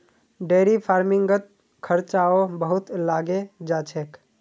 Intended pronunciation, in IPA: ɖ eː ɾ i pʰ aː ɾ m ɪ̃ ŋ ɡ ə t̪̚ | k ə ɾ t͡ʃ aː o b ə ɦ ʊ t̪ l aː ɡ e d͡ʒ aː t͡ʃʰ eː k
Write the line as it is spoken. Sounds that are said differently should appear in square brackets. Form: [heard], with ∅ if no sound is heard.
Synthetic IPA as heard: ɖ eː ɾ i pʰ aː ɾ m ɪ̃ ŋ ɡ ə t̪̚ | [kʰ] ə ɾ t͡ʃ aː o b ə ɦ ʊ t̪ l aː ɡ e d͡ʒ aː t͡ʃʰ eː k